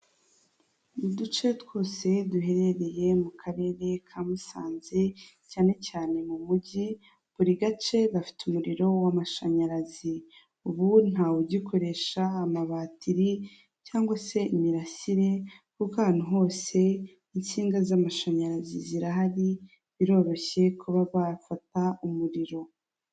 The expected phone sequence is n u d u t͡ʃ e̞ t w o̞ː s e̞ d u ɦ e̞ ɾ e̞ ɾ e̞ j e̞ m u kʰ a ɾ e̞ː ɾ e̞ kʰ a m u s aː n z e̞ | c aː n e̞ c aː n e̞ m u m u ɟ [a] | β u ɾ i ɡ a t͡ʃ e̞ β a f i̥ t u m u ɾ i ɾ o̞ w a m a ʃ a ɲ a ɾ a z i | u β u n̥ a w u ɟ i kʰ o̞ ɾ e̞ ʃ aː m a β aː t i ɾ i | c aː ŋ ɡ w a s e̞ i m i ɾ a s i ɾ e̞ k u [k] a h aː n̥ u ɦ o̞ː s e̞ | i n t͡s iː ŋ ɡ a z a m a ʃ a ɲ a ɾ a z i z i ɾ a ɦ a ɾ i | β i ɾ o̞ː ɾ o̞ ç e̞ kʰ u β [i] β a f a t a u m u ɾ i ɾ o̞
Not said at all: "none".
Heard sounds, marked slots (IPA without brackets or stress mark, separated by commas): i, k, a